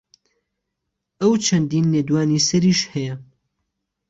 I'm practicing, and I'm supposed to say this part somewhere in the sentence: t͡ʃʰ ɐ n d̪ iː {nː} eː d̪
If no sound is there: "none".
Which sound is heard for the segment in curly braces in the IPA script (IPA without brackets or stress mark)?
nː